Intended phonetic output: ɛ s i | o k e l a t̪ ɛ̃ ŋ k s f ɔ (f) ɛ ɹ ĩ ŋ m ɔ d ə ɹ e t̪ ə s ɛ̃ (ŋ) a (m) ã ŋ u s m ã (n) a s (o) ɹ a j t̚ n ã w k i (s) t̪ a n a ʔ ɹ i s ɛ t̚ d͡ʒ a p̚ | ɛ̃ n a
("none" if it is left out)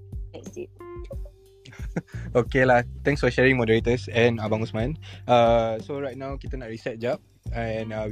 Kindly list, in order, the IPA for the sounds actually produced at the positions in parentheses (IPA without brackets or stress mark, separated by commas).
ʃ, n, b, n, o, none